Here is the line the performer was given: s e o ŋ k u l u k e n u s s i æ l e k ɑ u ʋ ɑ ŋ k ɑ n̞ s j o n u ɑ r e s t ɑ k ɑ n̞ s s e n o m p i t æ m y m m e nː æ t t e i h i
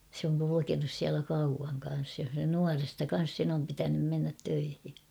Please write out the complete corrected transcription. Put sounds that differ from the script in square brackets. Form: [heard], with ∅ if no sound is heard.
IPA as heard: s e o ŋ k u l u k e n u s s i æ l [æ] k ɑ u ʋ ɑ ŋ k ɑ n̞ s j o n u ɑ r e s t ɑ k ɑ n̞ s s e n o m p i t æ [n] y m m e nː æ t t [ø] i h i